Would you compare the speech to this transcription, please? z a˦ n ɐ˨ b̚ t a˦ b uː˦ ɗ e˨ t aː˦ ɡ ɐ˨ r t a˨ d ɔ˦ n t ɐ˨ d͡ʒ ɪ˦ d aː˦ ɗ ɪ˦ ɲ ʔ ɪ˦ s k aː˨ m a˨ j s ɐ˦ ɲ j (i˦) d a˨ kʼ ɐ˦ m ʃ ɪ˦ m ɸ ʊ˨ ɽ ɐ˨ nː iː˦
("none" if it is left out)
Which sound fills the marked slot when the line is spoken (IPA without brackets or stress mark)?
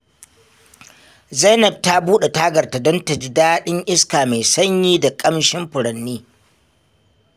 iː˦